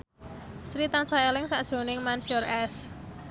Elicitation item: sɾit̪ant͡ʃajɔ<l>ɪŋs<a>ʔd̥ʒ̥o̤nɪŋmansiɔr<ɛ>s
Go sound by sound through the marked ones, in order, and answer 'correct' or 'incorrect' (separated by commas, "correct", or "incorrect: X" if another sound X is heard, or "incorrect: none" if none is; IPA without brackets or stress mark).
correct, correct, correct